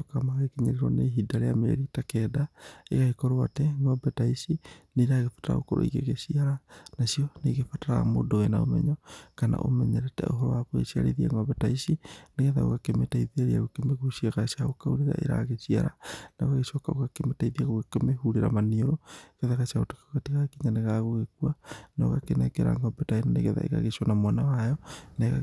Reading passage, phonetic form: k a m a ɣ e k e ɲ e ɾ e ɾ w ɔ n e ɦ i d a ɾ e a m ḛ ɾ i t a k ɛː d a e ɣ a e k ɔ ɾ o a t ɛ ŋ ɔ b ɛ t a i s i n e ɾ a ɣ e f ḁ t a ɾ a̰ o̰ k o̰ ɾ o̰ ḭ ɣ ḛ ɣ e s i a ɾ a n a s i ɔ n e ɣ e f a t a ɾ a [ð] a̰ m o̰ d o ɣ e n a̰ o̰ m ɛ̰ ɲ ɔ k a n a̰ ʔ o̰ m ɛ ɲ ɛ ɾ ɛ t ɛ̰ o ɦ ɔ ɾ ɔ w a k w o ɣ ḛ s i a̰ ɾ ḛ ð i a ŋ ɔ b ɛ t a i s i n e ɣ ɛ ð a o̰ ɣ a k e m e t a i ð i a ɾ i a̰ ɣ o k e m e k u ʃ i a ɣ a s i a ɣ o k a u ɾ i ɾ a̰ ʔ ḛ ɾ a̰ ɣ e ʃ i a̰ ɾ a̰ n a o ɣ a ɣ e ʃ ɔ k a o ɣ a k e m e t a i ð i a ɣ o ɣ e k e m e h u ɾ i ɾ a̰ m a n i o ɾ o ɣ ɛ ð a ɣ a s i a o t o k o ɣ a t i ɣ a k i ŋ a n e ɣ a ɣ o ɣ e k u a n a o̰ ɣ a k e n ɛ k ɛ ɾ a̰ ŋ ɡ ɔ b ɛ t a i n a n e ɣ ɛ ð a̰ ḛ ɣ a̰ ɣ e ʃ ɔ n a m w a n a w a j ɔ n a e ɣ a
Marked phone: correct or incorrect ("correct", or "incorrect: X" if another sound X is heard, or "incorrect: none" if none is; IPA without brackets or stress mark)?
incorrect: ɣ